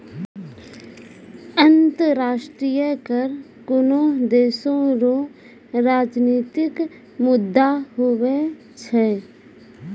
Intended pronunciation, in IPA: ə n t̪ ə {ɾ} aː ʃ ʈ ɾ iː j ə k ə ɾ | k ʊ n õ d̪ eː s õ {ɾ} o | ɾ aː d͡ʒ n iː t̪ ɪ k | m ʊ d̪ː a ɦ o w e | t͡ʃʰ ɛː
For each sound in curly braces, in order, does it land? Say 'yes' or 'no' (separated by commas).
yes, yes